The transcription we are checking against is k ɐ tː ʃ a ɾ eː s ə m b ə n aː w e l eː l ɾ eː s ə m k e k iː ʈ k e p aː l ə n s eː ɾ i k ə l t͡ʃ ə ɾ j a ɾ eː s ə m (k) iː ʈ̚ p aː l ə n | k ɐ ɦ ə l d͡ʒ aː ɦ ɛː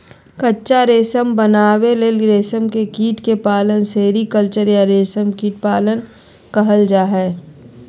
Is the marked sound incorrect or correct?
correct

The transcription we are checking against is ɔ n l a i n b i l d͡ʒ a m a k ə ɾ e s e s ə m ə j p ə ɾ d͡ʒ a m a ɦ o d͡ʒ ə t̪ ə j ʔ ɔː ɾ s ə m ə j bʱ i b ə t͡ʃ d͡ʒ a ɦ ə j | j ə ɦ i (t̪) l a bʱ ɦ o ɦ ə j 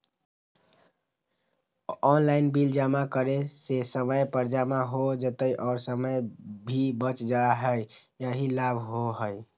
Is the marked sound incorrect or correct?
incorrect: none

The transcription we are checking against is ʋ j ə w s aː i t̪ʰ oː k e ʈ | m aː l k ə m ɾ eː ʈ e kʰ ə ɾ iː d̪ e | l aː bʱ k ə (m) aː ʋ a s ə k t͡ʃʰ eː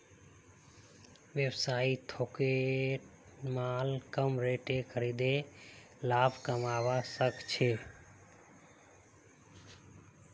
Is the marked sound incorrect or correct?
correct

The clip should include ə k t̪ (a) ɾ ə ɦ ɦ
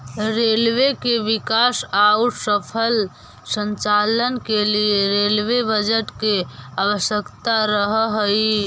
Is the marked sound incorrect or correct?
correct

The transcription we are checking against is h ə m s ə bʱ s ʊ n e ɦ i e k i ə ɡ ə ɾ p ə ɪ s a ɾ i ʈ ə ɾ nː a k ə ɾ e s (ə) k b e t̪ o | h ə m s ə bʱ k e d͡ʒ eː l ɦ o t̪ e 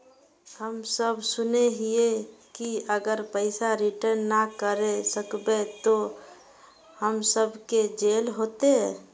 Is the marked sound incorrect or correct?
correct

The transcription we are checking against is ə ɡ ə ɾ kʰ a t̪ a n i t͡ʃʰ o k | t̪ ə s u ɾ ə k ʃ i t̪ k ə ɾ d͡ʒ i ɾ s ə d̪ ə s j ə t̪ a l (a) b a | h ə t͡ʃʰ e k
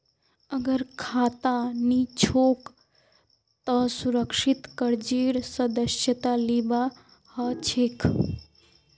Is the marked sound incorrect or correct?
incorrect: i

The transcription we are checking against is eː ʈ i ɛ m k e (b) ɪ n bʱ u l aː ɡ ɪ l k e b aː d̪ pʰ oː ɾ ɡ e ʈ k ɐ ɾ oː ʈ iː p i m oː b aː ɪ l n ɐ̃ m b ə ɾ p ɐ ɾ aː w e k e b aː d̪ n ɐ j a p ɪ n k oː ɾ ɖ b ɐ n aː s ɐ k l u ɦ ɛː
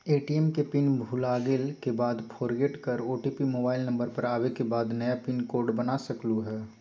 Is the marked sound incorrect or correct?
incorrect: p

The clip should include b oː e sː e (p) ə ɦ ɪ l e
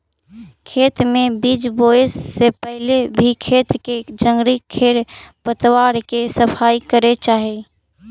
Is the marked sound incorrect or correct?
correct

